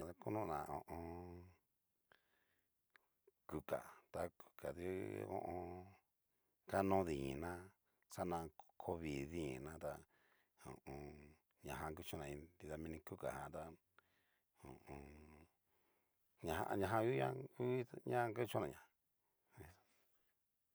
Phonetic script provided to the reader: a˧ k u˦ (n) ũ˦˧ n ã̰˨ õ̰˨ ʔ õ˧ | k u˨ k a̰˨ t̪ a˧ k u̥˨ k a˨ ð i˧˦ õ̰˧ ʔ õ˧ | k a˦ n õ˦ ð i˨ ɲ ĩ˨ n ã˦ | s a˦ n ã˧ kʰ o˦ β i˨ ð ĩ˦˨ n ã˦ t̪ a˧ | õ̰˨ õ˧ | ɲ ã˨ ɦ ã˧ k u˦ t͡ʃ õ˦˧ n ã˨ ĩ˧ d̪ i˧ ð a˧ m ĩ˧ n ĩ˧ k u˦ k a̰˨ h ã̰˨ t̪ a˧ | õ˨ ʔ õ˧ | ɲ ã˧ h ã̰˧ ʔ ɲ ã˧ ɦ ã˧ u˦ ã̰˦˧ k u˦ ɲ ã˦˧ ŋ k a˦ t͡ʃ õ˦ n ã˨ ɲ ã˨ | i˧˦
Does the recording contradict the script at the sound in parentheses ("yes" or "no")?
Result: no